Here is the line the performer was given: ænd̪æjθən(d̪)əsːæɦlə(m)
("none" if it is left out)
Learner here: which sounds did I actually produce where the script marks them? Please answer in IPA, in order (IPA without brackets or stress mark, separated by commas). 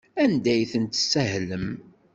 t̪, m